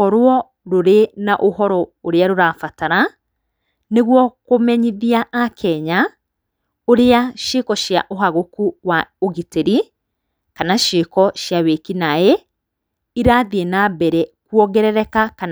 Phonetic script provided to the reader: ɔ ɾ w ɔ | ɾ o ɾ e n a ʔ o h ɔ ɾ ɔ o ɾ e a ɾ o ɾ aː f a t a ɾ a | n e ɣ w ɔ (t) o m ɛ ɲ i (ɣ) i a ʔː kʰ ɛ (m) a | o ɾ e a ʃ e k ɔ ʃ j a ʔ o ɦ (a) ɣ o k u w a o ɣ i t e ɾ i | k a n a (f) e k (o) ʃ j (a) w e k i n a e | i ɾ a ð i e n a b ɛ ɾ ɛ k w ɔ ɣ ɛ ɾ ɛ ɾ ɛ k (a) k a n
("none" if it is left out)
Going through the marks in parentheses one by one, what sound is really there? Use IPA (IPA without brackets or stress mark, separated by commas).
k, ð, ɲ, a, ʃ, ɔ, a, a